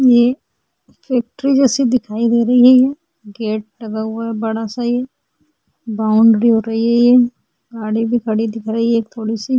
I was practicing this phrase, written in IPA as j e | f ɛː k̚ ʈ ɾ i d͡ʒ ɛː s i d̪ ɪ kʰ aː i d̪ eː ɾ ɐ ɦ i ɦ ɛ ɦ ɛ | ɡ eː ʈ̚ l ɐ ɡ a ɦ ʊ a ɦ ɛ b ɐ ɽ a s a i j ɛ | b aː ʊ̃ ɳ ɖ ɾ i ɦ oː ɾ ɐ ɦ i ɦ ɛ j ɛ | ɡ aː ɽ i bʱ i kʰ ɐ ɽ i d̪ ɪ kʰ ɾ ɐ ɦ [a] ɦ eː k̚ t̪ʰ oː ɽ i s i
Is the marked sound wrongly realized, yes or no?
yes